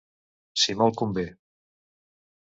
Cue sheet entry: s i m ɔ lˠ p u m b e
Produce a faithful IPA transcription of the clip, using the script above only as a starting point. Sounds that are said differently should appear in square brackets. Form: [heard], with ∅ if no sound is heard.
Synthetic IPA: s i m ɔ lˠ [k] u m b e